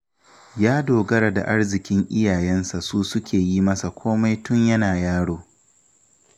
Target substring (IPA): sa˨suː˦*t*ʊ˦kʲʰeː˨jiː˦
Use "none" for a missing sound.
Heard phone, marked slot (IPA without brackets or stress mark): s